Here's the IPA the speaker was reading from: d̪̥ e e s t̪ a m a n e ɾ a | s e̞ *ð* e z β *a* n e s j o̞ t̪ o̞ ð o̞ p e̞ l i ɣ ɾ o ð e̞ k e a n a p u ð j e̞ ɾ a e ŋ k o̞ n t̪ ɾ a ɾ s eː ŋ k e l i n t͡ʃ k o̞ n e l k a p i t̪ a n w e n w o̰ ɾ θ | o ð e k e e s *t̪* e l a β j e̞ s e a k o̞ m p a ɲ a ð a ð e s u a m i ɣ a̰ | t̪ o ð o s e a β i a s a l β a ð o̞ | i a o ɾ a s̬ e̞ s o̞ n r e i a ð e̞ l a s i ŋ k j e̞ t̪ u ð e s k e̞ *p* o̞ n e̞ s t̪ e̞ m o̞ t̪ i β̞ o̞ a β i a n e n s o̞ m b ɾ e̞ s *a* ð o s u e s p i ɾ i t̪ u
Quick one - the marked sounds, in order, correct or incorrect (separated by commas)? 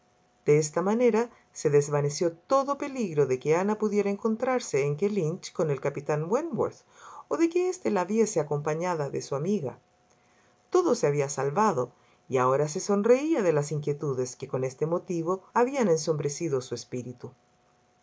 correct, correct, correct, incorrect, incorrect